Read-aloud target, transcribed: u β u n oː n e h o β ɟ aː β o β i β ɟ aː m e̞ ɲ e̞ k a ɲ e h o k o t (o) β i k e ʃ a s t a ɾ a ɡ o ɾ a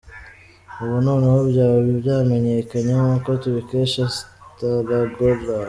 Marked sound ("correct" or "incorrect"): incorrect